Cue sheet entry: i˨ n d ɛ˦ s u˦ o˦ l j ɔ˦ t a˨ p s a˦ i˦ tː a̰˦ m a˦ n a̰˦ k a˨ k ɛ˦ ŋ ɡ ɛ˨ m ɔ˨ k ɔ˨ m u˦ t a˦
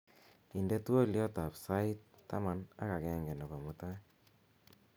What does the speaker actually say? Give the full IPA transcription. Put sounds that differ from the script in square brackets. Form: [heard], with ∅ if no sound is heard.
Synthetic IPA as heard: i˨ n d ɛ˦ [t] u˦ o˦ l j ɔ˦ t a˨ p s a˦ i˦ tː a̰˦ m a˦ n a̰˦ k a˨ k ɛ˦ ŋ ɡ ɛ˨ [n] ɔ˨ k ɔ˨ m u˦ t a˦